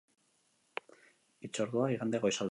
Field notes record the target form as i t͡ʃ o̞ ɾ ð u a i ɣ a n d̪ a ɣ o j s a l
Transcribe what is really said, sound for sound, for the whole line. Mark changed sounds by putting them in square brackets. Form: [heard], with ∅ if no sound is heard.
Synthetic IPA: i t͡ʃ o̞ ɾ ð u a i ɣ a n d̪ [e] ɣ o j s a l